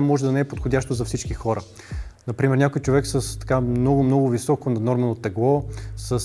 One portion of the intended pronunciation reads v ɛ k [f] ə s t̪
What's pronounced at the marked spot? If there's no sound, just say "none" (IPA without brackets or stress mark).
s